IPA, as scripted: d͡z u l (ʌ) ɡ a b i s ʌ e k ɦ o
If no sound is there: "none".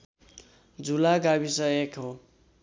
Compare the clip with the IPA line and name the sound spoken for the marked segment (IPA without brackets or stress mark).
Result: a